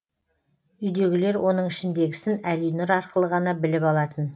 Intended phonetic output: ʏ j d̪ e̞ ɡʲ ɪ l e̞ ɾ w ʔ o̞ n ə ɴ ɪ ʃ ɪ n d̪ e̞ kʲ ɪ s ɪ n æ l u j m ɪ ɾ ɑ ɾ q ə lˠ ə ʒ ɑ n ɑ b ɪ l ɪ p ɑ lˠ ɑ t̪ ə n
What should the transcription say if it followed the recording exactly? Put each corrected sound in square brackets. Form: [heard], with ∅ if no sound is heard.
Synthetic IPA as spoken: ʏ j d̪ e̞ ɡʲ ɪ l e̞ ɾ w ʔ o̞ n ə ɴ ɪ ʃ ɪ n d̪ e̞ [ɡʲ] ɪ s ɪ n æ l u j [n] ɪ ɾ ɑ ɾ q ə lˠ ə [ʁ] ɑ n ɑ b ɪ l ɪ p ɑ lˠ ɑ t̪ ə n